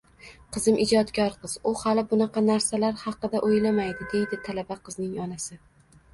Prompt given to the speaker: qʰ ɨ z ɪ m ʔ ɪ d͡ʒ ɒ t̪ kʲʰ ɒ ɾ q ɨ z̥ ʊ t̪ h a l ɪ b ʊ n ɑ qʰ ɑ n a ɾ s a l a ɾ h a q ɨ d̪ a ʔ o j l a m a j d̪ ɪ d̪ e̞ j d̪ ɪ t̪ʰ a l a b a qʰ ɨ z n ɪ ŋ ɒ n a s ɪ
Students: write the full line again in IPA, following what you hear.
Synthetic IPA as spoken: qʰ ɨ z ɪ m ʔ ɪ d͡ʒ ɒ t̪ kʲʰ ɒ ɾ q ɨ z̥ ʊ h a l ɪ b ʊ n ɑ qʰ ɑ n a ɾ s a l a ɾ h ɑ q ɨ d̪ a ʔ o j l a m a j d̪ ɪ d̪ e̞ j d̪ ɪ t̪ʰ a l a b a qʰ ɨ z n ɪ ŋ ɒ n a s ɪ